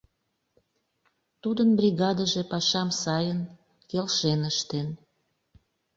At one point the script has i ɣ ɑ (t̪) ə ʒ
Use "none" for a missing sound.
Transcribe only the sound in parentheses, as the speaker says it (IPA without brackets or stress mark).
d̪